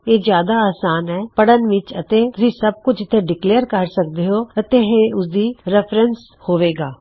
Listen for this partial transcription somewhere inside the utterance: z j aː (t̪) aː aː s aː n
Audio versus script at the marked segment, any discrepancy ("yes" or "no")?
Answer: yes